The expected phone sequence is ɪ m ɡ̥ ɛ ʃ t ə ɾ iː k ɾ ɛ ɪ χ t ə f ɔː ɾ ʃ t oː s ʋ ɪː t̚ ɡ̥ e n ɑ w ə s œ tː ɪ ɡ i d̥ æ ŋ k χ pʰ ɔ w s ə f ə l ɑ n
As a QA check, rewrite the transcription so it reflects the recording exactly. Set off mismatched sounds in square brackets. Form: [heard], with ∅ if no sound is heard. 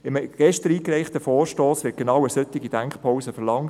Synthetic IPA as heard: ɪ m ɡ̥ ɛ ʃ t ə ɾ iː k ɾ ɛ ɪ χ t ə f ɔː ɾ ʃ t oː s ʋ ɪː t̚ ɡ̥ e n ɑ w ə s œ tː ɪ ɡ i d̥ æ ŋ k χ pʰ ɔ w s ə f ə l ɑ [ŋ]

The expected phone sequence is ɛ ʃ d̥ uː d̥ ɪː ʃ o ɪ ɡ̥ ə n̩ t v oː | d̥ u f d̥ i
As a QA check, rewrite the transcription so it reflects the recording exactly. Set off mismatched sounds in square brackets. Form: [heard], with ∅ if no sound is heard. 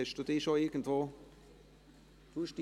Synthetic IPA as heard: ɛ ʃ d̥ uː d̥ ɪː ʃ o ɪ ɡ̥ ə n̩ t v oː | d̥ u [ʃ] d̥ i

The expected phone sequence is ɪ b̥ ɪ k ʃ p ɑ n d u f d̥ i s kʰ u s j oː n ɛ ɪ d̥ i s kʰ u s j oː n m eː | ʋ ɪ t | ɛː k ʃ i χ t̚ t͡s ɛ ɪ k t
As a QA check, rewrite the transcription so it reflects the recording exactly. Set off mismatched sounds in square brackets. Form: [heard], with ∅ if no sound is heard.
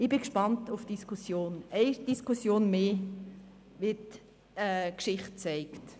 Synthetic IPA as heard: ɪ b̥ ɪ k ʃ p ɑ n [t] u f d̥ i s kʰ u s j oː n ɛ ɪ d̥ i s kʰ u s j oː n m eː | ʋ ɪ t | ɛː k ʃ [ɪ] χ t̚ t͡s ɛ ɪ k t

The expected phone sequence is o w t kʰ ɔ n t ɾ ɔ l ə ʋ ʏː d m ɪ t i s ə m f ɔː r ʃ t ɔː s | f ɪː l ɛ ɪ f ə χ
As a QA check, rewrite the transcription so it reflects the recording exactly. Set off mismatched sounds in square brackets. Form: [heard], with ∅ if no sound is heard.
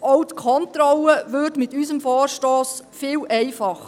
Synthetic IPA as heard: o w t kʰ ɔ n t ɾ ɔ l ə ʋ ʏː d m ɪ t [y] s ə m f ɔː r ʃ t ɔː s | f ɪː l ɛ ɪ f [ɑ] χ

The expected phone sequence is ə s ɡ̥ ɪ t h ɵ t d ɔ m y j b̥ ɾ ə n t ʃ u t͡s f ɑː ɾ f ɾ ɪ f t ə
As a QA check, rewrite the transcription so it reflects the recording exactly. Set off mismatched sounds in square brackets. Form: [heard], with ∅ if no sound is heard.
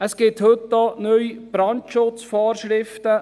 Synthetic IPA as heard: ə s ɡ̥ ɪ t h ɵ t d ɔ [n] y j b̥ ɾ [ɑ] n t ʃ [ʊ] t͡s f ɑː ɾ [ʃ] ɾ ɪ f t ə

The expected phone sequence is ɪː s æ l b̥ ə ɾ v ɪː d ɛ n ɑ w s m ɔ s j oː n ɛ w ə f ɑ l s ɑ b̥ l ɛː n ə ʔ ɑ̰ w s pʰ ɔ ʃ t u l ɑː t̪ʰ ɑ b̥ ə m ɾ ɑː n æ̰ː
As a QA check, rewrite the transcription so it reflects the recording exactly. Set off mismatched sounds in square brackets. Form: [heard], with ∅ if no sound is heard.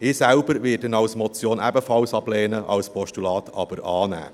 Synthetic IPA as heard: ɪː s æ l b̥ ə ɾ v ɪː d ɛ n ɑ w s m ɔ [t͡s] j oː n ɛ [b] ə f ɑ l s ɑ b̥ l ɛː n ə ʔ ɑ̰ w s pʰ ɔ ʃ t u l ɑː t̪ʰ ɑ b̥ ə [∅] ɾ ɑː n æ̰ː

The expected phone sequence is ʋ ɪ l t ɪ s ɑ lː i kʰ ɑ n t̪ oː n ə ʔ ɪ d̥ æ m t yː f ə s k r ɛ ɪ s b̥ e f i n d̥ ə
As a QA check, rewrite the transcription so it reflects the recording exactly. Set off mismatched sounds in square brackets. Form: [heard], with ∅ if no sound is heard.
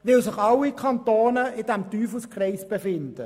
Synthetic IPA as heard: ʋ ɪ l [s] ɪ [χ] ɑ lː i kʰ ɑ n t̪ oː n ə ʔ ɪ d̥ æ m t yː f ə s k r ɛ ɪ s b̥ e f [ɪ] n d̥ ə

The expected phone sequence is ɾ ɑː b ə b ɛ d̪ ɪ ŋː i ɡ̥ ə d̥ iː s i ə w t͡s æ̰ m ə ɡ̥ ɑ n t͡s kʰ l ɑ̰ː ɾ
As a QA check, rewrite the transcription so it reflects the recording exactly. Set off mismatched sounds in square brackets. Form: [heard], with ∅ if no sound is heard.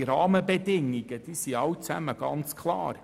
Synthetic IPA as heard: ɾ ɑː [m] ə b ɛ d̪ ɪ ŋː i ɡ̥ ə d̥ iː s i [ɑ] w t͡s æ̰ m ə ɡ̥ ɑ n t͡s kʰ l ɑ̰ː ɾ

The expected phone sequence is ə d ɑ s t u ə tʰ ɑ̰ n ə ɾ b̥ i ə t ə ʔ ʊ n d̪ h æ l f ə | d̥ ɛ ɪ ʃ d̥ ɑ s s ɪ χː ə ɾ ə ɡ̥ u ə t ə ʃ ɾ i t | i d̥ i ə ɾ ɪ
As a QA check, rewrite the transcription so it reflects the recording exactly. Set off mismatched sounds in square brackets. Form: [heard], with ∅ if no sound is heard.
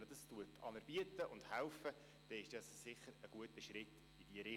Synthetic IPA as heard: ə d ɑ s t u ə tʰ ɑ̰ n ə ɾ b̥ i ə t ə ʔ ʊ n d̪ h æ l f ə | d̥ ɛ ɪ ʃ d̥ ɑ s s ɪ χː ə ɾ ə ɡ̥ u ə t ə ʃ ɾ [ɪ] t | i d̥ i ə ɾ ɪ

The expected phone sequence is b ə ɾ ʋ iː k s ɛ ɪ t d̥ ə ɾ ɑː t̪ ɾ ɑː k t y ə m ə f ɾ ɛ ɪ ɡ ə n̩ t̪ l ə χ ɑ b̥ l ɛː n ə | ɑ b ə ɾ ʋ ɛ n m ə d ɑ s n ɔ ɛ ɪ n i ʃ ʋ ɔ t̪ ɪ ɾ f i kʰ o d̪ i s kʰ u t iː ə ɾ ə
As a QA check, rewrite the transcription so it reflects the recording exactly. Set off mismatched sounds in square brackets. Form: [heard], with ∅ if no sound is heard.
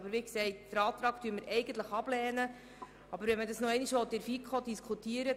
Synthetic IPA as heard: b ə ɾ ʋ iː k s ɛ ɪ t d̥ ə ɾ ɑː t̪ ɾ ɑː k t y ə m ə [∅] ɾ ɛ ɪ ɡ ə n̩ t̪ l ə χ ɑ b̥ l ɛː n ə | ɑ b ə ɾ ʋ ɛ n m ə d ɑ s n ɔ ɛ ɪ n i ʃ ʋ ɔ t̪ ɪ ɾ f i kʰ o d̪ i s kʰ u t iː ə ɾ ə

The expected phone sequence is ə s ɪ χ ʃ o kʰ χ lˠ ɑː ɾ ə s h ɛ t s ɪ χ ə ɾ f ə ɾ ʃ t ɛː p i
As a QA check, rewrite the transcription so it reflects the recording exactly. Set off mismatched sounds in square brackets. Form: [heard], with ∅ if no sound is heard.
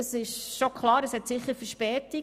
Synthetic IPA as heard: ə s ɪ [ʃ] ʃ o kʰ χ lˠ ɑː ɾ ə s h ɛ t s ɪ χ ə ɾ f ə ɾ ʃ [p] ɛː [t] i

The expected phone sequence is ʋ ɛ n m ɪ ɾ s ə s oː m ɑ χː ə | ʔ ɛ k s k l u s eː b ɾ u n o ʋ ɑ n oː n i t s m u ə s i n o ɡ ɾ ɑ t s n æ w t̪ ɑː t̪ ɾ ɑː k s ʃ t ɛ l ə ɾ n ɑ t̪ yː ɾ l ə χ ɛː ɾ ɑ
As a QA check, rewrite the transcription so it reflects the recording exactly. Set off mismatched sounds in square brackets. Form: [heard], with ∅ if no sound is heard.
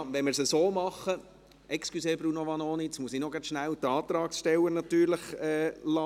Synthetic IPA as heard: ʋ ɛ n m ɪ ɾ s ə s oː m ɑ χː ə | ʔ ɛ k s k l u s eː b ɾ u n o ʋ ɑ n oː n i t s m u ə s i n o ɡ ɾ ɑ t [ʃ] n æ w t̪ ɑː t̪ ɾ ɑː k s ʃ t ɛ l ə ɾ n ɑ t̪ yː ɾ l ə χ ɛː [l] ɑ

